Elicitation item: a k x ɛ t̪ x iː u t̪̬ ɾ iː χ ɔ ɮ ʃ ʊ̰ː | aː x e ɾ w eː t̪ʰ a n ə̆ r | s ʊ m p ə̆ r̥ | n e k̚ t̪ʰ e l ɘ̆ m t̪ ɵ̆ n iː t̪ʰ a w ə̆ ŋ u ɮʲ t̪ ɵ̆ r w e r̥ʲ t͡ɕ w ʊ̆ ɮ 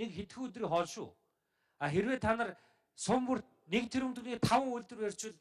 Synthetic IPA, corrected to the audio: e k x e t̪ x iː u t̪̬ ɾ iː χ ɔ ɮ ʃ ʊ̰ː | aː x e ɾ w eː t̪ʰ a n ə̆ r | s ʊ m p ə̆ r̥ | n e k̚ t̪ʰ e ɾ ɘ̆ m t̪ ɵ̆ n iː t̪ʰ a w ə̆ ŋ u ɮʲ t̪ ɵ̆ r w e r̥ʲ t͡ɕ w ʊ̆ ɮ